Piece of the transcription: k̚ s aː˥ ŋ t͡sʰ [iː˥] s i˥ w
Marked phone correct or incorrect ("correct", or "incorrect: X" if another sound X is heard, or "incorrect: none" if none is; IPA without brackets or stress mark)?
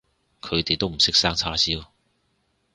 incorrect: aː˥